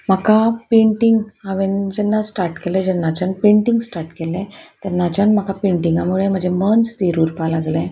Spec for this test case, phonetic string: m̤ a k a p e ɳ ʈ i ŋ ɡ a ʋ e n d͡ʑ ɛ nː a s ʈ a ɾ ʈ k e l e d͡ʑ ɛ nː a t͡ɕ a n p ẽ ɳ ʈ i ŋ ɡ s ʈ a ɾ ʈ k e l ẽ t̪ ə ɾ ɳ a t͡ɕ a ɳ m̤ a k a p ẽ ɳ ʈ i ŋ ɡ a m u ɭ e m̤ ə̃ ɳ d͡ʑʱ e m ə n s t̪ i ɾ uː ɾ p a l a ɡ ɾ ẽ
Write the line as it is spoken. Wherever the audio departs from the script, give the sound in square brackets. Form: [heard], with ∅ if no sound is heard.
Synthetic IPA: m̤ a k a p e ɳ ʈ i ŋ ɡ a ʋ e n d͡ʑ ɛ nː a s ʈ a ɾ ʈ k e l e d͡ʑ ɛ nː a t͡ɕ a n p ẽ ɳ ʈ i ŋ ɡ s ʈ a ɾ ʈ k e l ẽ t̪ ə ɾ [n] a t͡ɕ a [n] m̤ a k a p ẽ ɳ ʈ i ŋ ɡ a m u ɭ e m̤ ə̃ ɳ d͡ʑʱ e m ə n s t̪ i ɾ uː ɾ p a l a ɡ [l] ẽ